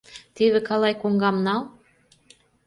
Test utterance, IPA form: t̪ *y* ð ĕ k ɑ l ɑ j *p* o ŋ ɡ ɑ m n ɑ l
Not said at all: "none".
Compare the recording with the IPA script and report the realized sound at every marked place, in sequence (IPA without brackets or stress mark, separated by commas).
i, k